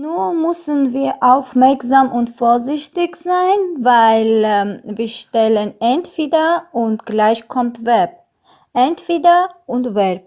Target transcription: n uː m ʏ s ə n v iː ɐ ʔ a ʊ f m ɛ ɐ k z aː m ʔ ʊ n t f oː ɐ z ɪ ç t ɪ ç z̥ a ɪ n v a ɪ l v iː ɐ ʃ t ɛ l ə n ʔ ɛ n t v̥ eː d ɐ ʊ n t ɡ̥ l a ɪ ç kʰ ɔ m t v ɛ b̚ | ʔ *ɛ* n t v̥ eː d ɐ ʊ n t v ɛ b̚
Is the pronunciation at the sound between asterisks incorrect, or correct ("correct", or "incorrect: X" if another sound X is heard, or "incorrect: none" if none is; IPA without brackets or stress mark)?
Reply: correct